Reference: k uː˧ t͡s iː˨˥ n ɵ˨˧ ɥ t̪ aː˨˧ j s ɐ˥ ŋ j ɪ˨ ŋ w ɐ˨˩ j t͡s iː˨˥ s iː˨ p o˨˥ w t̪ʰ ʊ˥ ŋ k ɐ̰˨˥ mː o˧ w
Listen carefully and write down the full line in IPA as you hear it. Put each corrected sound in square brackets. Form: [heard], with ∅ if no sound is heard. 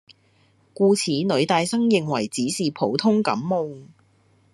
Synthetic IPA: k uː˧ [t͡sʰ] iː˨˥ n ɵ˨˧ ɥ t̪ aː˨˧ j s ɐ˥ ŋ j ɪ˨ ŋ w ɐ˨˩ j t͡s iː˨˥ s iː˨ [pʰ] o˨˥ w t̪ʰ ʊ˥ ŋ k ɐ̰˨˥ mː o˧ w